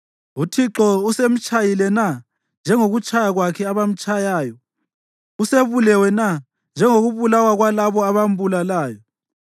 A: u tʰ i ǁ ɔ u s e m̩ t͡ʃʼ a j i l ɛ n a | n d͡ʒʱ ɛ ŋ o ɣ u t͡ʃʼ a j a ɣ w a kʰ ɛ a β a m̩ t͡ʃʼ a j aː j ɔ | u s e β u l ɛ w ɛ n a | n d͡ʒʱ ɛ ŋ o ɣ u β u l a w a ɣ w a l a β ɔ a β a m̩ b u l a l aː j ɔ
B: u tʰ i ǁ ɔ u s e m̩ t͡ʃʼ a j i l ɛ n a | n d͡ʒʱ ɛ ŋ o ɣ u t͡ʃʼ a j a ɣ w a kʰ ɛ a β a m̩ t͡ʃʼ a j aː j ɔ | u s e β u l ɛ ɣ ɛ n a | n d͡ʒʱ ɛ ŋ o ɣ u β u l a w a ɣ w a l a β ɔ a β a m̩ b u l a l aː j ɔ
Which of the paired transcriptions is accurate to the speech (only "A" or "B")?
A